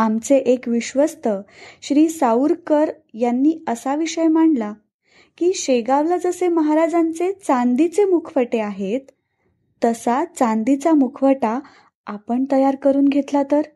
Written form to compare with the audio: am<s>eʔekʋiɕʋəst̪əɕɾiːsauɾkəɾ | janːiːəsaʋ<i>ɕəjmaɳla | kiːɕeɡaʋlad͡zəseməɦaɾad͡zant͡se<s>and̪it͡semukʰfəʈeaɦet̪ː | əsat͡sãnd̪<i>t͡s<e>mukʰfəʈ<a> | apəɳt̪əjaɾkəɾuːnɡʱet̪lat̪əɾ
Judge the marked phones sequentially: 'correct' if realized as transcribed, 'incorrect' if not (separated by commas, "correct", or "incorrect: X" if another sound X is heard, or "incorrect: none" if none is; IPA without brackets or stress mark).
incorrect: t͡s, correct, incorrect: t͡s, correct, incorrect: a, correct